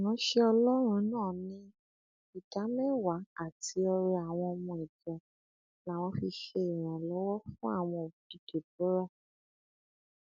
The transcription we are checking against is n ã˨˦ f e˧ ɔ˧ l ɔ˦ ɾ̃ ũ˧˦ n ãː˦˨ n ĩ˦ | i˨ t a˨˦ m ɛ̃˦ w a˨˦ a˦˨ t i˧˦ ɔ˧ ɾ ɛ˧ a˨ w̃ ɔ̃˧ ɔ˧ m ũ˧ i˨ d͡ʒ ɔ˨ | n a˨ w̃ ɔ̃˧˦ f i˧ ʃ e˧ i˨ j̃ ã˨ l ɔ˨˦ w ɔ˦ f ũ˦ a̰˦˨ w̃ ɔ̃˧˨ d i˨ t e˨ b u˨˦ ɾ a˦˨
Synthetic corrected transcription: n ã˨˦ ʃ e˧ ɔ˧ l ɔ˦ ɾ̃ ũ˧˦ n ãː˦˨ n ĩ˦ | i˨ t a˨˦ m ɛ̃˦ w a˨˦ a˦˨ t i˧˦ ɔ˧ ɾ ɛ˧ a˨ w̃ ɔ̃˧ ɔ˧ m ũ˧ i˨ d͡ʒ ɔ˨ | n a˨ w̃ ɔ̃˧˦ f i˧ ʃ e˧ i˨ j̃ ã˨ l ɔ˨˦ w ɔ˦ f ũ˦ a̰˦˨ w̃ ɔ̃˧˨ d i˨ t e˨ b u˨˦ ɾ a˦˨